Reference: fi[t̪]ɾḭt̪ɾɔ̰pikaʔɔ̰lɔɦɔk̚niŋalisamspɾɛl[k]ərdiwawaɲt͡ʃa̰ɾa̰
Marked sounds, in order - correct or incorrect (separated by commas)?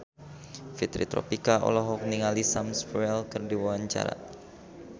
correct, correct